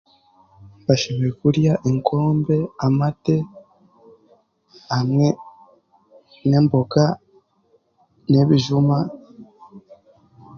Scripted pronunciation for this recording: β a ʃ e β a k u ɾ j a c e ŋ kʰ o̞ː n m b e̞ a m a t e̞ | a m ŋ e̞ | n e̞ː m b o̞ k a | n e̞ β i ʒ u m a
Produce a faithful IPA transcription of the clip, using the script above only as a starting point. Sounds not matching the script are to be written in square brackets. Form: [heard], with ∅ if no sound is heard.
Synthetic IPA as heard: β a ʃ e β [e] k u ɾ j a [ʔ] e ŋ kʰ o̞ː [∅] m b e̞ a m a t e̞ | a m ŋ e̞ | n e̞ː m b o̞ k a | n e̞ β i ʒ u m a